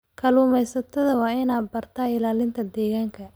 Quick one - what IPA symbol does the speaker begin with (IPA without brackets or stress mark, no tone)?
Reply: kʰ